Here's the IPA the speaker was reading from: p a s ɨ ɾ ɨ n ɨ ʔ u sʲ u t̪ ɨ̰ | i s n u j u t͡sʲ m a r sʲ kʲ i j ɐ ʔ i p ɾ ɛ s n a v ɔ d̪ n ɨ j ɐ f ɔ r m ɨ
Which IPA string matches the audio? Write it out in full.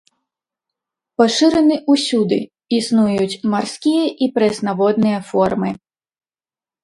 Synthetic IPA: p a ʂ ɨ ɾ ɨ n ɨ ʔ u sʲ u d̪ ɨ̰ | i s n u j u t͡sʲ m a r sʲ kʲ i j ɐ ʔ i p ɾ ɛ s n a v ɔ d̪ n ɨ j ɐ f ɔ r m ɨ